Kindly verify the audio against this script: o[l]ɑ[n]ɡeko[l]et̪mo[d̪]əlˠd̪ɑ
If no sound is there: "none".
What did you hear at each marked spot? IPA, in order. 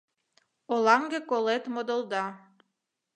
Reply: l, ŋ, l, d̪

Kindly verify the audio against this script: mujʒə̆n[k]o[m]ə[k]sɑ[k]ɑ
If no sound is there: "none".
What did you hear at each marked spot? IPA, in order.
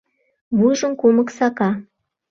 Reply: k, m, k, k

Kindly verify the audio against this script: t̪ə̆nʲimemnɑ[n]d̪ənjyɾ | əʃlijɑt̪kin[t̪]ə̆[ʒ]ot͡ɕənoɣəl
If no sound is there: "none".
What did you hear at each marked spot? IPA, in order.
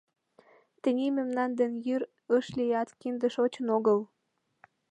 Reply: n, d̪, ʃ

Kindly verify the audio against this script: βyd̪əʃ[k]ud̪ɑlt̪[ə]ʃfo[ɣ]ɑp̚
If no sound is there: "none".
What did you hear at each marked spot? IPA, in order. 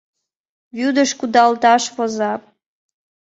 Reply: k, ɑ, z

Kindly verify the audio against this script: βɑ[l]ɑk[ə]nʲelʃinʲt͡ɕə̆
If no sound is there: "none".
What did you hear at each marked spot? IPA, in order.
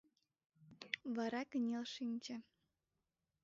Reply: ɾ, ə

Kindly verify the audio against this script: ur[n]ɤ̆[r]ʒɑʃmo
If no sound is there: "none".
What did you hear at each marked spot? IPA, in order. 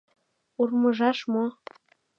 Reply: m, none

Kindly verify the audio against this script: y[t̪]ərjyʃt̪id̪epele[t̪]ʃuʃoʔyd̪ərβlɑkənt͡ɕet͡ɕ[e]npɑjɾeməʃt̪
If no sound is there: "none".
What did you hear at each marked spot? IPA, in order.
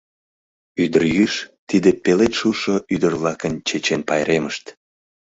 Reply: d̪, t̪, e

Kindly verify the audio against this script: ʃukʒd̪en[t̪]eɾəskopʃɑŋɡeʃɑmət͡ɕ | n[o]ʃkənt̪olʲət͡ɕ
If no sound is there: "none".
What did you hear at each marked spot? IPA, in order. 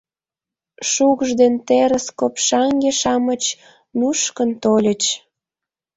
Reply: t̪, u

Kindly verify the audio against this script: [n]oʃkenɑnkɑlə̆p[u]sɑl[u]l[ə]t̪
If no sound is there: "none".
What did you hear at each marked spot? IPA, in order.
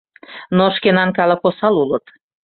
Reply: n, o, u, ə

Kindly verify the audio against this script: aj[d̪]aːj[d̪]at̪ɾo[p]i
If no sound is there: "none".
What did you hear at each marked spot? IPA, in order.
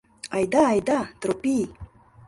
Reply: d̪, d̪, p

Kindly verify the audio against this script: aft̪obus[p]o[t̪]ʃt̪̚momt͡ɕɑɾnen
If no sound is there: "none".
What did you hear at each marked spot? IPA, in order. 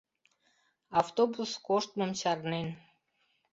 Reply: k, none

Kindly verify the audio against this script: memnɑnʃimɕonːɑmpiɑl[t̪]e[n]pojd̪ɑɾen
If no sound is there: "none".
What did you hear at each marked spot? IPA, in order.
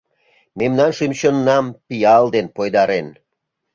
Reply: d̪, n

